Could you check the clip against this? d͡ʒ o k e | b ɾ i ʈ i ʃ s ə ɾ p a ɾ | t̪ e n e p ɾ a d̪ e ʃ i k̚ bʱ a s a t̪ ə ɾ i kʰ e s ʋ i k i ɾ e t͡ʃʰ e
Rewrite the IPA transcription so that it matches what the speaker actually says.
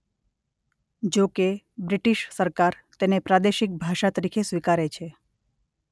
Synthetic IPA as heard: d͡ʒ o k e | b ɾ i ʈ i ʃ s ə ɾ k a ɾ | t̪ e n e p ɾ a d̪ e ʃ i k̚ bʱ a ʃ a t̪ ə ɾ i kʰ e s ʋ i k a ɾ e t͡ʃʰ e